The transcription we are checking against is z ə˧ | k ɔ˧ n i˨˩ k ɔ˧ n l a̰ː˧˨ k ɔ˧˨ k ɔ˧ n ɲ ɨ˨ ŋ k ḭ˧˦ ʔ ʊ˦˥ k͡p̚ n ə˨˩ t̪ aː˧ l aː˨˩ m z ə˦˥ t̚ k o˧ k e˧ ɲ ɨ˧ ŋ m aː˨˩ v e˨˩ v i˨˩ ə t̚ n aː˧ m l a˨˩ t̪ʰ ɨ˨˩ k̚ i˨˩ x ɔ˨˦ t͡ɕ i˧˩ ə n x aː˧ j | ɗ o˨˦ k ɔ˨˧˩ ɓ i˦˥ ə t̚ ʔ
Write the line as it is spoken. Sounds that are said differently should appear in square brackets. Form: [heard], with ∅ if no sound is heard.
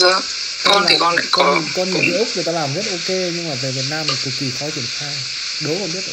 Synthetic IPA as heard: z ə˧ | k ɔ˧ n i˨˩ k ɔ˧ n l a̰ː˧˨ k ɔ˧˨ k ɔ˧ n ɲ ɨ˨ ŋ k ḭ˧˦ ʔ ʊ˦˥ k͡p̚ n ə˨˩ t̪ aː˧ l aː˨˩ m z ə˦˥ t̚ [ʔ] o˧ k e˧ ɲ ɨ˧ ŋ m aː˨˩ v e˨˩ v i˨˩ ə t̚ n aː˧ m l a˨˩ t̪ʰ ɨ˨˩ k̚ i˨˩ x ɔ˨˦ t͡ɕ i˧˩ ə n x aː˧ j | ɗ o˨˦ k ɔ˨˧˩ ɓ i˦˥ ə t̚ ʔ